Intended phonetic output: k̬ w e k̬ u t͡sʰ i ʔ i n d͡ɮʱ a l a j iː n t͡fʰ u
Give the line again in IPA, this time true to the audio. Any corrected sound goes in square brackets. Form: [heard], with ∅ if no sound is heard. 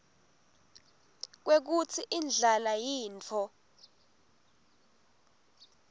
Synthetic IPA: k̬ w e k̬ u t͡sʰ i ʔ i n d͡ɮʱ a l a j iː n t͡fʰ [ɔ]